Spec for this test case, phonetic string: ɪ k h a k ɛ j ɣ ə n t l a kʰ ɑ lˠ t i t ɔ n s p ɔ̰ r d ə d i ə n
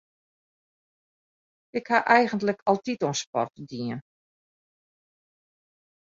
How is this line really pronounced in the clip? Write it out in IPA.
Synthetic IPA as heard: ɪ k h a ʔ ɛ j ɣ ə n t l ə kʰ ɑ lˠ t i t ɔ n s p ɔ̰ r t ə d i ə n